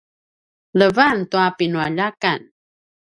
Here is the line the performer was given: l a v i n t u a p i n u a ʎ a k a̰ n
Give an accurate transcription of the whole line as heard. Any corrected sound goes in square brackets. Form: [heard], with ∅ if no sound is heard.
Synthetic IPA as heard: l [ə] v [a] n t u a p i n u a ʎ a k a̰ n